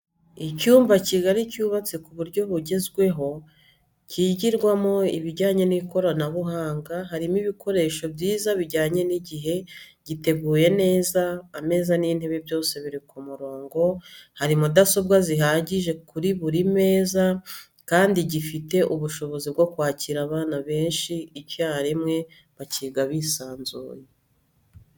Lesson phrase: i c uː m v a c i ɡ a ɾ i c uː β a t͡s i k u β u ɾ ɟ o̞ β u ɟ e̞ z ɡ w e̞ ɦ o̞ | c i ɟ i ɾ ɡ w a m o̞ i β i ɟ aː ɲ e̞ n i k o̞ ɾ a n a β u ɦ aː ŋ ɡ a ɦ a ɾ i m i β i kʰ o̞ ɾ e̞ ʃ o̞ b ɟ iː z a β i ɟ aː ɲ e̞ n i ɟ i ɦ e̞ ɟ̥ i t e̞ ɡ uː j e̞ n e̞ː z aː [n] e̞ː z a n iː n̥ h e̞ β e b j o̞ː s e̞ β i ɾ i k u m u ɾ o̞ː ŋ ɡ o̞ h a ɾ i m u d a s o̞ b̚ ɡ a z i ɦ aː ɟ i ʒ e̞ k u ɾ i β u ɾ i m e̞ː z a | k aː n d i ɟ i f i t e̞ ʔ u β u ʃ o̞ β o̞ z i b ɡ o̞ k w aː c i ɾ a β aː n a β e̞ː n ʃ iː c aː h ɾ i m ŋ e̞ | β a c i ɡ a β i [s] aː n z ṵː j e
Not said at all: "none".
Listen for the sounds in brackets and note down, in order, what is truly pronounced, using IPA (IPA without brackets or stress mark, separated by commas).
m, s